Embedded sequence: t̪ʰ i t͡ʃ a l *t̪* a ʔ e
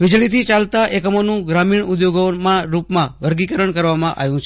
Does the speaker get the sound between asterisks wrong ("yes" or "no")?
no